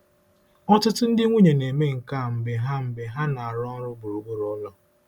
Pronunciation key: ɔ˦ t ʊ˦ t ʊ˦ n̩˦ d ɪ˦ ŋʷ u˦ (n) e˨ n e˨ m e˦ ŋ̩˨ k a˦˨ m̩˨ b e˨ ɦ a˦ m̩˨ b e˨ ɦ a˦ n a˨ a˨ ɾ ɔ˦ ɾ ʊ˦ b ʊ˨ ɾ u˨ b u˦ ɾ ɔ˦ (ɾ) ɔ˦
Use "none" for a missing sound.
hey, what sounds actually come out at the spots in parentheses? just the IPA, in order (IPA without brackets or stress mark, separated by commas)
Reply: ɲ, l